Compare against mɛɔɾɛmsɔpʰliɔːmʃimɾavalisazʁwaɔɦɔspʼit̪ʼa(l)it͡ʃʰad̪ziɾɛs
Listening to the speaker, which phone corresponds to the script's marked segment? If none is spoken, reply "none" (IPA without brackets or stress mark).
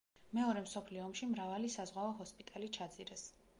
l